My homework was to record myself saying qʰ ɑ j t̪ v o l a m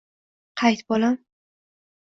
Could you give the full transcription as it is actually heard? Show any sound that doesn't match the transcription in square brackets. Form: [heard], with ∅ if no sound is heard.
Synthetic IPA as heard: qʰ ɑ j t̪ [b] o l a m